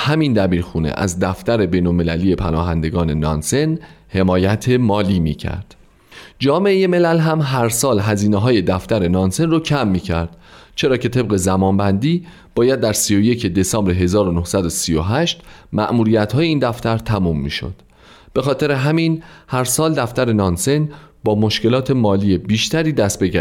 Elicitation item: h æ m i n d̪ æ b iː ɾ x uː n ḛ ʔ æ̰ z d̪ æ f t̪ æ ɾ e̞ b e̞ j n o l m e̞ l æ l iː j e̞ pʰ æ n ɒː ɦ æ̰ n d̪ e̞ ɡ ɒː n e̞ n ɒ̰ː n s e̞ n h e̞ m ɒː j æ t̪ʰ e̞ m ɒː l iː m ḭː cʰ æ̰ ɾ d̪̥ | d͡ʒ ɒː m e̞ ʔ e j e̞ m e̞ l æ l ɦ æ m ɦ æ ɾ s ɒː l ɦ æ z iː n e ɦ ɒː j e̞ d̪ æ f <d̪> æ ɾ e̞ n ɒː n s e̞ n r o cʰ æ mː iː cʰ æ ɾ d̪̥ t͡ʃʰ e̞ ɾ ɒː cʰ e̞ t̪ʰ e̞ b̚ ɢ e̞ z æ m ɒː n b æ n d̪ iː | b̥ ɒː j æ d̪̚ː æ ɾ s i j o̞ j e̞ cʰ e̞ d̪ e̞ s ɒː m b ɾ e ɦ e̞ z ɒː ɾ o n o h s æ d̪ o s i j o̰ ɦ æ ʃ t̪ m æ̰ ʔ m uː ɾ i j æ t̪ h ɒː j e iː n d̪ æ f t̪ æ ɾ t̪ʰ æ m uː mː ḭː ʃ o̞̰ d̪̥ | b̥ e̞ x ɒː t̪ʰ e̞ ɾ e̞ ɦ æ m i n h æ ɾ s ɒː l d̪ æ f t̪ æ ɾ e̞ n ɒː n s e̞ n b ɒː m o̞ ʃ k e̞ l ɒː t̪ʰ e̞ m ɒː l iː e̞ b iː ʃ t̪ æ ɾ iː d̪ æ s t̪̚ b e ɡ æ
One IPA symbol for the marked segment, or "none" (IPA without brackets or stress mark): t̪